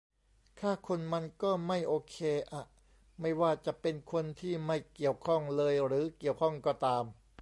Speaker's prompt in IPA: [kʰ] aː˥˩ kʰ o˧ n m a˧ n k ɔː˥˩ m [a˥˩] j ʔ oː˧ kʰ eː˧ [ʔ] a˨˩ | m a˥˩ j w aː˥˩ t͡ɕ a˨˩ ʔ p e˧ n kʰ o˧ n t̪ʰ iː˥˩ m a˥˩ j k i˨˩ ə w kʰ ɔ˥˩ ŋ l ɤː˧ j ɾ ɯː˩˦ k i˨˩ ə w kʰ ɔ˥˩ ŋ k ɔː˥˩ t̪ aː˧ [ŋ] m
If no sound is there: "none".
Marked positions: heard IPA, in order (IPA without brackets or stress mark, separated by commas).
kʰ, a˥˩, ʔ, none